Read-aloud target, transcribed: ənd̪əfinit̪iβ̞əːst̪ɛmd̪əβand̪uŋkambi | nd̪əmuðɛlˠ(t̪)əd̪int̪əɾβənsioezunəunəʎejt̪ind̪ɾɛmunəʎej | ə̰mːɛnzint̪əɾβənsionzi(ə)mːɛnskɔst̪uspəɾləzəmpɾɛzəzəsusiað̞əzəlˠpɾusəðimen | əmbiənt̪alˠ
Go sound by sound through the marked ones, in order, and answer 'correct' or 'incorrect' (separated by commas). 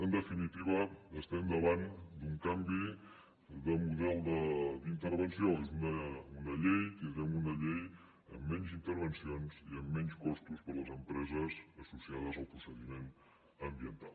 incorrect, correct